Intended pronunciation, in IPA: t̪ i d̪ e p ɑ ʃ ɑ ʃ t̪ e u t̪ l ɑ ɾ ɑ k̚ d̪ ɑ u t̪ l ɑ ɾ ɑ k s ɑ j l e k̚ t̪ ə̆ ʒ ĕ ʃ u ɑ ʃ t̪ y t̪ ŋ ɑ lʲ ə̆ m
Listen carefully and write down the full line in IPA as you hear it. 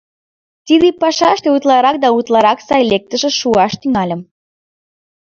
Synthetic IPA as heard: t̪ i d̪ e p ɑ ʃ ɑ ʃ t̪ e u t̪ l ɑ ɾ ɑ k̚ d̪ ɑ u t̪ l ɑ ɾ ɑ k s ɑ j l e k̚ t̪ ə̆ ʒ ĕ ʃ u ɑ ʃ t̪ y ŋ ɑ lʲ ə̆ m